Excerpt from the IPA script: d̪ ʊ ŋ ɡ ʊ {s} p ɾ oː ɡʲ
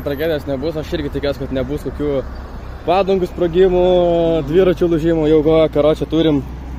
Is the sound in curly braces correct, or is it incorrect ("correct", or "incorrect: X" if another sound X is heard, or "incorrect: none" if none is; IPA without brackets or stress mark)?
correct